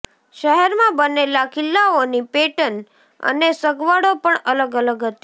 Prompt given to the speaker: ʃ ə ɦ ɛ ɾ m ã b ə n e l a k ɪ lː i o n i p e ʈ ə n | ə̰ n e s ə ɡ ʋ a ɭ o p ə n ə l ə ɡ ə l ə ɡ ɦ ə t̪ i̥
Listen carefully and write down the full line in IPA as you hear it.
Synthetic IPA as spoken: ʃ ə ɦ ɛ ɾ m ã b ə n e l a k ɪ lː a o n i p e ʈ ə n | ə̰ n e s ə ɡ ʋ a ɽ o p ə ɳ ə l ə ɡ ə l ə ɡ ɦ ə t̪ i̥